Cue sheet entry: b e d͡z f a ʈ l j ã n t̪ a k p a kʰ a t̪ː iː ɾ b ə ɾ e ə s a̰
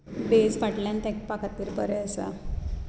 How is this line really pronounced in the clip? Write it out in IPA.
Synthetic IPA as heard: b e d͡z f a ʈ l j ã n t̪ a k p a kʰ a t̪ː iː ɾ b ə ɾ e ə s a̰

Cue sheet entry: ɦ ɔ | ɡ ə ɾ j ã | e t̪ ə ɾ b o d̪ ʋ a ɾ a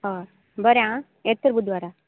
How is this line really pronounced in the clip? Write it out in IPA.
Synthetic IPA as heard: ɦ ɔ | b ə ɾ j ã | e t̪ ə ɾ b u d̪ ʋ a ɾ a

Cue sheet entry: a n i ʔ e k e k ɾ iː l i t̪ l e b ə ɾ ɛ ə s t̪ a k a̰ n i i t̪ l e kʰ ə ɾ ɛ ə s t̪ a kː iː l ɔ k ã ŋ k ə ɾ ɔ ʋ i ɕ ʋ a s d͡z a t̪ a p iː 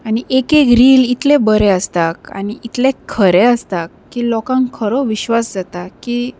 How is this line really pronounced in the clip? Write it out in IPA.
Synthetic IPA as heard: a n i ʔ e k e k ɾ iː l i t̪ l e b ə ɾ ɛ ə s t̪ a k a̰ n i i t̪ l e kʰ ə ɾ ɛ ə s t̪ a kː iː l ɔ k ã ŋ kʰ ə ɾ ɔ ʋ i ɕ ʋ a s d͡z a t̪ a k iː

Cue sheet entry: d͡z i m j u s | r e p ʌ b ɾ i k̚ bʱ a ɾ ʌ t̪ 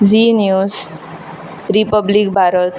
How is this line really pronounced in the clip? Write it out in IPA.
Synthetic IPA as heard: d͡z i n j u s | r i p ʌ b l i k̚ bʱ a ɾ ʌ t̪

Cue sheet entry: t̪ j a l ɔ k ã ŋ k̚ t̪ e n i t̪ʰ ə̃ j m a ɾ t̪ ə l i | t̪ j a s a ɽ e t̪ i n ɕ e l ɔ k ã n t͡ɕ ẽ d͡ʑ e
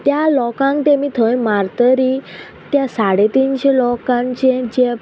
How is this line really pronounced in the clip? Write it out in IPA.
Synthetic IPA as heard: t̪ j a l ɔ k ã ŋ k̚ t̪ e m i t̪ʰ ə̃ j m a ɾ t̪ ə ɾ i | t̪ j a s a ɽ e t̪ i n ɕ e l ɔ k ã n t͡ɕ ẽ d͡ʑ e

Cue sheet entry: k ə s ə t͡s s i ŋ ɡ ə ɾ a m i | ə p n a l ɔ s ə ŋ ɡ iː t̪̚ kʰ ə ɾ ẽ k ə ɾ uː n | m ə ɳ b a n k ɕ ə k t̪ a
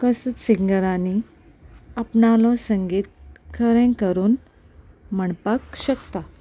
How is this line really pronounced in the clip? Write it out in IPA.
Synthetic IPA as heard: k ə s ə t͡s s i ŋ ɡ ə ɾ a n i | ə p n a l ɔ s ə ŋ ɡ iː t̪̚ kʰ ə ɾ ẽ k ə ɾ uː n | m ə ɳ p a k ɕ ə k t̪ a

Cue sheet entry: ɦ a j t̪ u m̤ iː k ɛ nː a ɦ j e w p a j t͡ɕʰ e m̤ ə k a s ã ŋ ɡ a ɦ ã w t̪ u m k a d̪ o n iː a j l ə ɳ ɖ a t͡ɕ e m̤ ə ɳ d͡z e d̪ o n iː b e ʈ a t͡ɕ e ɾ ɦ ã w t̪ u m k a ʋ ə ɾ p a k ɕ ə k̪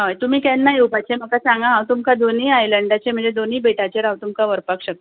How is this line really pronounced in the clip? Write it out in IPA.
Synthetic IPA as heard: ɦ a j t̪ u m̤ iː k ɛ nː a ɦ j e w p a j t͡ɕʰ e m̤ ə k a s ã ŋ ɡ a ɦ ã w t̪ u m k a d̪ o n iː a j l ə ɳ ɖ a t͡ɕ e m̤ ə ɳ d͡z e d̪ o n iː b e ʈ a t͡ɕ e ɾ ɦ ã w t̪ u m k a ʋ ə ɾ p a k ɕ ə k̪

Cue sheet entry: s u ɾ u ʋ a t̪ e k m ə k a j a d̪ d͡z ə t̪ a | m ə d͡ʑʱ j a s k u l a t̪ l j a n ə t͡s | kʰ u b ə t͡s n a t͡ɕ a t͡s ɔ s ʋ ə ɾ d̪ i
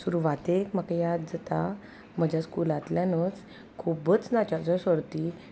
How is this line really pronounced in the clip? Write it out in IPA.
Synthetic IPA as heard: s u ɾ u ʋ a t̪ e k m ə k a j a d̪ d͡z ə t̪ a | m ə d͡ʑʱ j a s k u l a t̪ l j a n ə t͡s | kʰ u b ə t͡s n a t͡ɕ a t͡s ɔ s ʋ ə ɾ t̪ i

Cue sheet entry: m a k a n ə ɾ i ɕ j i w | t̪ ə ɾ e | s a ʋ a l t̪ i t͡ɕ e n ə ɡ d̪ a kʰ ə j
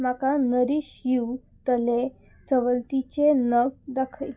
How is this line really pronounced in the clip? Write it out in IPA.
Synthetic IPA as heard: m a k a n ə ɾ i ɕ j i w | t̪ ə l e | s ə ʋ ə l t̪ i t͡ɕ e n ə ɡ d̪ a kʰ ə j

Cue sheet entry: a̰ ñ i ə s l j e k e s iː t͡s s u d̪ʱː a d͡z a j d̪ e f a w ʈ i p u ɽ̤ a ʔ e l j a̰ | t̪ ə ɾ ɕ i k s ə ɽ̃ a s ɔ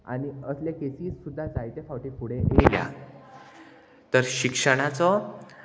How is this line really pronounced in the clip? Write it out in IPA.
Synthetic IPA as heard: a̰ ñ i ə s l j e k e s iː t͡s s u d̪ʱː a d͡z a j t̪ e f a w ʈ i p u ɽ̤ e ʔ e l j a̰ | t̪ ə ɾ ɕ i k ʂ ə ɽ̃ a t͡s ɔ

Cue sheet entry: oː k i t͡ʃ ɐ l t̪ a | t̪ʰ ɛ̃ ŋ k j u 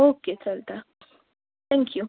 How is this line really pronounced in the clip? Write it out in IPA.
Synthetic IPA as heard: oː k e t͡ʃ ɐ l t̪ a | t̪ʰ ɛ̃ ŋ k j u

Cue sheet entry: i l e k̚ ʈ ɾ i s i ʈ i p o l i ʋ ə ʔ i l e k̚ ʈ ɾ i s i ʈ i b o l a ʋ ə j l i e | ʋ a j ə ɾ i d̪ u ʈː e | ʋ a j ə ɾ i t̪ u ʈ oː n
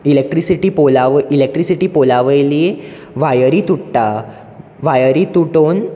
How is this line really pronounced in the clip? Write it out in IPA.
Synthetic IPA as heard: i l e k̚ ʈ ɾ i s i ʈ i p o l a ʋ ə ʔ i l e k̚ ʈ ɾ i s i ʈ i p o l a ʋ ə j l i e | ʋ a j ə ɾ i t̪ u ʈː a | ʋ a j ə ɾ i t̪ u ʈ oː n

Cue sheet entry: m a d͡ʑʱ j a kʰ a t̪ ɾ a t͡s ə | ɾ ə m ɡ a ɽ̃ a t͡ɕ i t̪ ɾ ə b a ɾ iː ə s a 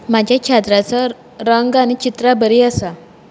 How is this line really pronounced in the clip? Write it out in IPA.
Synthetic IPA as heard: m a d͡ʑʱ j a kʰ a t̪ ɾ a t͡s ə | ɾ ə ŋ ɡ a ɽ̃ i t͡ɕ i t̪ ɾ a b ə ɾ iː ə s a

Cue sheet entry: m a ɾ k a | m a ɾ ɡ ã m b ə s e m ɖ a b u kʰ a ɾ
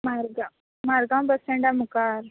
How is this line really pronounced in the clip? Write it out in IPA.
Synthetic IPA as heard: m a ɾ ɡ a | m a ɾ ɡ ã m b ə s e ɳ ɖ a m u k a ɾ

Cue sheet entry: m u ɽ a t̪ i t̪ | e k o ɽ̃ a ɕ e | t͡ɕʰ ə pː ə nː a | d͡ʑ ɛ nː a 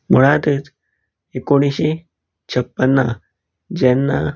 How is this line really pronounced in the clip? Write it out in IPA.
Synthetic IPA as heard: m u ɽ a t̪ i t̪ | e k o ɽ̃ i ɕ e | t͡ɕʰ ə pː ə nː a | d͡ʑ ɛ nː a

